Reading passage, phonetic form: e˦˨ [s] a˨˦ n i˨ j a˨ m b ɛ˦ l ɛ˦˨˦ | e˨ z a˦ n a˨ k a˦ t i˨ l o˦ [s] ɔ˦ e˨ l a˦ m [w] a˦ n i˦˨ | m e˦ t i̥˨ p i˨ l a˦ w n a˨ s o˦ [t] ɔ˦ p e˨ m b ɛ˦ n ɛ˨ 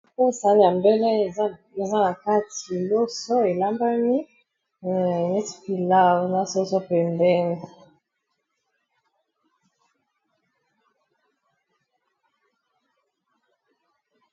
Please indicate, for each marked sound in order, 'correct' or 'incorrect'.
correct, correct, incorrect: b, incorrect: s

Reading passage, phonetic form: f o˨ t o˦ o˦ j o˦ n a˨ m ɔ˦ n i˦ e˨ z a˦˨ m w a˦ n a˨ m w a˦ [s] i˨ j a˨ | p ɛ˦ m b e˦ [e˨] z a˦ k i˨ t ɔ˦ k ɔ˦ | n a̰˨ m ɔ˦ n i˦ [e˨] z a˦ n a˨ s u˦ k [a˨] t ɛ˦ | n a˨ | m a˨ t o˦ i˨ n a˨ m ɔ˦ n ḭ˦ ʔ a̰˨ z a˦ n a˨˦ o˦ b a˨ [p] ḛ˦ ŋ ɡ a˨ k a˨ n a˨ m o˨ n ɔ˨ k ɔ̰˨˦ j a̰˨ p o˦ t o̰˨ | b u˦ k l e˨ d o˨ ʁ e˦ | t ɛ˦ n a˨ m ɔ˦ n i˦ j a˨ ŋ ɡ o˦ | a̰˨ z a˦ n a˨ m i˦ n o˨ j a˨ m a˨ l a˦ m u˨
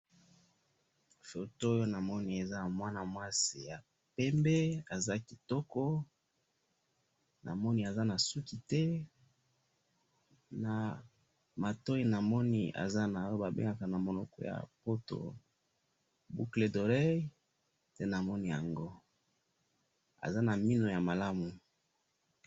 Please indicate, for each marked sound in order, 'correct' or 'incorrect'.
correct, incorrect: a˨, incorrect: a˨, incorrect: i˨, incorrect: b

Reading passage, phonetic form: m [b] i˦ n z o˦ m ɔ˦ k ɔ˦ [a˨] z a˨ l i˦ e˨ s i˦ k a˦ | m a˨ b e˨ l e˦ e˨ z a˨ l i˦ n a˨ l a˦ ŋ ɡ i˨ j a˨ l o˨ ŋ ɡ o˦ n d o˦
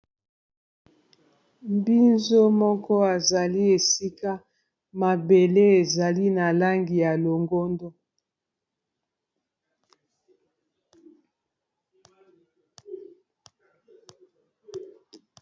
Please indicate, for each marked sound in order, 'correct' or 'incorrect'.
correct, correct

